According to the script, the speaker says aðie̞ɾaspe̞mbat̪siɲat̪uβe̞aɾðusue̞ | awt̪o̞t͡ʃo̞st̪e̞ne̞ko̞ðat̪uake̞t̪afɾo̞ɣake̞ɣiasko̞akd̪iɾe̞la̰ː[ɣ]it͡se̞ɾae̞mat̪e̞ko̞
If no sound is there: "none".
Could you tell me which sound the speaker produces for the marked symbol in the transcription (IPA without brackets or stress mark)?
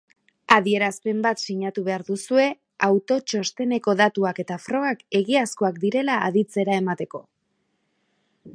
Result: ð